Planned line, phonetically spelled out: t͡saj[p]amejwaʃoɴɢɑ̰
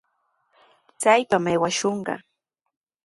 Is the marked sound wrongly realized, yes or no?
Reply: no